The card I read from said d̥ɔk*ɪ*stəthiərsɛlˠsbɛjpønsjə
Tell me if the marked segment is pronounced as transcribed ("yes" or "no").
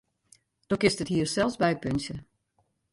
yes